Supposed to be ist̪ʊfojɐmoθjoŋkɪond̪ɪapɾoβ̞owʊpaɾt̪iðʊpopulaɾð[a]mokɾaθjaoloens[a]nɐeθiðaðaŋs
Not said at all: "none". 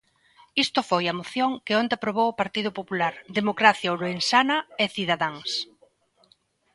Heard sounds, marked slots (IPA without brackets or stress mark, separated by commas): e, a